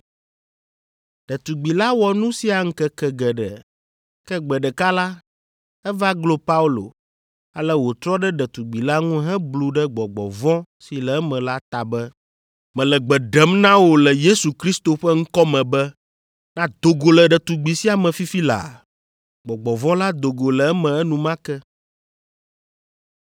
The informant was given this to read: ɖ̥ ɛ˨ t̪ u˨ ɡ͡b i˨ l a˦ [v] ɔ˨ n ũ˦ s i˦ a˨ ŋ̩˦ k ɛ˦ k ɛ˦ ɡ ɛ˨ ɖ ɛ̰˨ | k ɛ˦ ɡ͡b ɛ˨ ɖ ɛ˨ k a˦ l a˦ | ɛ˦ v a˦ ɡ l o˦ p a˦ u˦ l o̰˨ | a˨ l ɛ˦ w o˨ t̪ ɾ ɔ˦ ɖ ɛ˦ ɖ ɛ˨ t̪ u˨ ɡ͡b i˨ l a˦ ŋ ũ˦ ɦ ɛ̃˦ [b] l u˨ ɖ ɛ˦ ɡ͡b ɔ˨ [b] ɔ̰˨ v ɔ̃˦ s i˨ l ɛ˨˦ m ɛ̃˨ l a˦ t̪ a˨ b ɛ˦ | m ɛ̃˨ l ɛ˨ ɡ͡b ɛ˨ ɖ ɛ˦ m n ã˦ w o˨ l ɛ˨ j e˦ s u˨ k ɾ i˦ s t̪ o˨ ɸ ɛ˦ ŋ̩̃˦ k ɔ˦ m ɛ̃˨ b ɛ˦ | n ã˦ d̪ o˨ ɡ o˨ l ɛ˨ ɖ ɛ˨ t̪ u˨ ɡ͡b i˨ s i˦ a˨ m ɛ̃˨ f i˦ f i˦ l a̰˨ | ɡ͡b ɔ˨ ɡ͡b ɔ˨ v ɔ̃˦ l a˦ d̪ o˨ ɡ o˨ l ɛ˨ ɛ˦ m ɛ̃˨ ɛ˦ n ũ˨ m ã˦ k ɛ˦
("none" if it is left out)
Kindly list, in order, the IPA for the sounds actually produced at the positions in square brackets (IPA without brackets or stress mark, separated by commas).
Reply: w, b, ɡ͡b